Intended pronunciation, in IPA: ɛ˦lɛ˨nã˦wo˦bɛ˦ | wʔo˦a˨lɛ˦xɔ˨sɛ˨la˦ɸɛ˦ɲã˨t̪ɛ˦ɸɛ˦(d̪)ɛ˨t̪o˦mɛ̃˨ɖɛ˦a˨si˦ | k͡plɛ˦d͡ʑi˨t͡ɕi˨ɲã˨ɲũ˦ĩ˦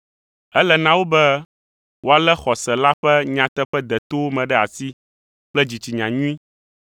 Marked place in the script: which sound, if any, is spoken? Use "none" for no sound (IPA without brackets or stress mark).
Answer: d̪